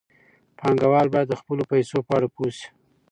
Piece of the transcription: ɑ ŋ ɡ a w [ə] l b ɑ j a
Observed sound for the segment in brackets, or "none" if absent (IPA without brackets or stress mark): ɑ